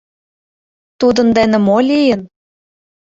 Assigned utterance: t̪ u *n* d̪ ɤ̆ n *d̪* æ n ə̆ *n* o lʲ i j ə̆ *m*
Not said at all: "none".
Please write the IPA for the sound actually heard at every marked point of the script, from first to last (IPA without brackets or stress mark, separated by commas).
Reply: none, d̪, m, n